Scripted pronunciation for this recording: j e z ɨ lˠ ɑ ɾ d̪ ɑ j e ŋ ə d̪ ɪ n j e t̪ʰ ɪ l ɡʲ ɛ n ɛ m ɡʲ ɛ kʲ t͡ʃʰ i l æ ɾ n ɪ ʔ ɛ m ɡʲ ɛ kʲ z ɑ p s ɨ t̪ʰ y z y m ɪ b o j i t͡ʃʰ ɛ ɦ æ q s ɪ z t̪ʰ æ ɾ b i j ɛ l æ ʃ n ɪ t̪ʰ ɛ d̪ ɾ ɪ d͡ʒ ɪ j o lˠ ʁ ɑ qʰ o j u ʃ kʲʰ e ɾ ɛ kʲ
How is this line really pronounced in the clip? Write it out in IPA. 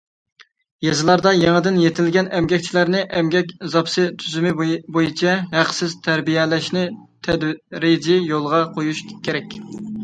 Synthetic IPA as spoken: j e z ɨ lˠ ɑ ɾ d̪ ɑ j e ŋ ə d̪ ɪ n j e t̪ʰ ɪ l ɡʲ ɛ n ɛ m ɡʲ ɛ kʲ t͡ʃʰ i l æ ɾ n ɪ ʔ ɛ m ɡʲ ɛ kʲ z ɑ p s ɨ t̪ʰ y z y m ɪ b o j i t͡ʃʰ ɛ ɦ æ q s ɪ z t̪ʰ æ ɾ b i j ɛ l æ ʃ n ɪ t̪ʰ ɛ d̪ ɾ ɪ d͡ʒ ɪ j o lˠ ʁ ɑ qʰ o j u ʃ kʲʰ e ɾ ɛ kʲ